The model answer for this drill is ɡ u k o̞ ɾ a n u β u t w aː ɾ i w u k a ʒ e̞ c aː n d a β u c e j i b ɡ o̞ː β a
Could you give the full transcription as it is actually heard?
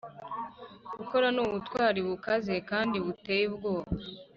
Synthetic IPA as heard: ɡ u k o̞ ɾ a n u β u t w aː ɾ i β u k a z e̞ k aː n d i β u t e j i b ɡ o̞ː β a